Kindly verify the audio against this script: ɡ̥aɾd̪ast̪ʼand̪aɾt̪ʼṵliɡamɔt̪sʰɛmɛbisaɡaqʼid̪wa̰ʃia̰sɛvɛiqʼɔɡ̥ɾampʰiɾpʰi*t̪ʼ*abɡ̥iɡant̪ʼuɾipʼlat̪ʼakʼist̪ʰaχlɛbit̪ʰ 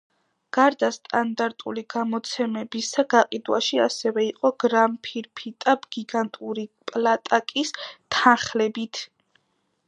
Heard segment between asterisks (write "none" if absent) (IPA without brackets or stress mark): t̪ʼ